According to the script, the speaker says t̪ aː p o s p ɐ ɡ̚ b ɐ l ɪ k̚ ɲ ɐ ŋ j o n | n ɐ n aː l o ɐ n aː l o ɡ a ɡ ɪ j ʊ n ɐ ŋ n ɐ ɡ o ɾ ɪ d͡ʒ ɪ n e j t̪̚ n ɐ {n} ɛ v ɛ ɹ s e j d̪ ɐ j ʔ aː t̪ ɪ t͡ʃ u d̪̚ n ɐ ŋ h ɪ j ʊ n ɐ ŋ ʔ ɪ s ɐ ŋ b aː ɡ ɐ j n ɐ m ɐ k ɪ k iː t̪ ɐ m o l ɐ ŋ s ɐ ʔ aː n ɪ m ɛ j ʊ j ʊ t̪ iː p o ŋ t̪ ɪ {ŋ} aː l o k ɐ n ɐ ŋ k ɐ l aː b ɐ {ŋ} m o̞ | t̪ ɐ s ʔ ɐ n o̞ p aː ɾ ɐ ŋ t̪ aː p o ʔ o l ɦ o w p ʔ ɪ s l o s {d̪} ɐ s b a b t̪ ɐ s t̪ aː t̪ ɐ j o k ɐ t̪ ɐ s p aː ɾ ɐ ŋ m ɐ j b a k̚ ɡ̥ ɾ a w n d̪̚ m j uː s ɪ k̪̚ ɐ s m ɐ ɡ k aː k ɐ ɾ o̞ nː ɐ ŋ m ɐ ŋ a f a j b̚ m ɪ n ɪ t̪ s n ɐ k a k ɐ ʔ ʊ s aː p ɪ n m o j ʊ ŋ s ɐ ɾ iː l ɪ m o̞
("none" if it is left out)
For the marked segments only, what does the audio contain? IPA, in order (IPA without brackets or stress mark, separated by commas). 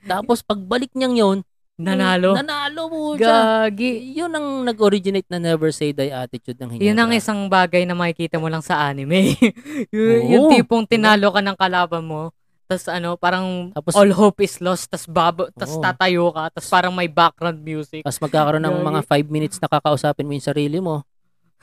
n, n, n, t̪